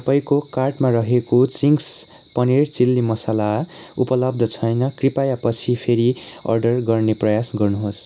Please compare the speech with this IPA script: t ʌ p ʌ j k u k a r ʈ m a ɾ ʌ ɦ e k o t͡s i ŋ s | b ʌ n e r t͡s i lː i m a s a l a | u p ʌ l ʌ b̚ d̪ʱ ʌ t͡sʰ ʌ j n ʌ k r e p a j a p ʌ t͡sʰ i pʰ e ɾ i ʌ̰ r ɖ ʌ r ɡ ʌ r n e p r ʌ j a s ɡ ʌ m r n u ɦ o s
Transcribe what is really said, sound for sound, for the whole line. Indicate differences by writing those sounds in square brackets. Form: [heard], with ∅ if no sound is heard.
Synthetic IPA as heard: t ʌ p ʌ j k [o] k a r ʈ m a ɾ ʌ ɦ e k o t͡s i ŋ s | [p] ʌ n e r t͡s i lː i m [ʌ] s a l a | u p ʌ l ʌ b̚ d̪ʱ ʌ t͡sʰ ʌ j n ʌ k r [i] p a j a p ʌ t͡sʰ i pʰ e ɾ i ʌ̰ r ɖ ʌ r ɡ ʌ r n e p r ʌ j a s ɡ ʌ [∅] r n u ɦ o s